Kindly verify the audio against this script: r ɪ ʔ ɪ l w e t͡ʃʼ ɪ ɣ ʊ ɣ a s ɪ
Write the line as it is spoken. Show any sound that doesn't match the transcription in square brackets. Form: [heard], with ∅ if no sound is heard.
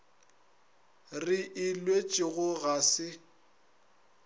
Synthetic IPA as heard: r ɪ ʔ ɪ l w e t͡ʃʼ ɪ ɣ ʊ ɣ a s ɪ